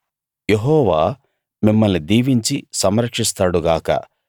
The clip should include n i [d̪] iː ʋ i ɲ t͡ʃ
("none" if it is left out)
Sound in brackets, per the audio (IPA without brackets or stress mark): d̪